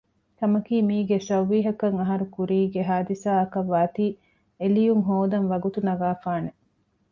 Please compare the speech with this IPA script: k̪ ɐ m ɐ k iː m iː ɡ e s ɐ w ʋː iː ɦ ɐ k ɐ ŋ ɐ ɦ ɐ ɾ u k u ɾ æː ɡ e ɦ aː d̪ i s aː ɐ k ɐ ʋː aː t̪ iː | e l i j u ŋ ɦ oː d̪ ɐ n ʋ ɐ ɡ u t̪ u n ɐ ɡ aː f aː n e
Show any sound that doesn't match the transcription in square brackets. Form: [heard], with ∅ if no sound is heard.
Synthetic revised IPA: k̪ ɐ m ɐ k iː m iː ɡ e s ɐ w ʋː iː ɦ ɐ k ɐ ŋ ɐ ɦ ɐ ɾ u k u ɾ [iː] ɡ e ɦ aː d̪ i s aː ɐ k ɐ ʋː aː t̪ iː | e l i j u ŋ ɦ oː d̪ ɐ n ʋ ɐ ɡ u t̪ u n ɐ ɡ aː f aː n e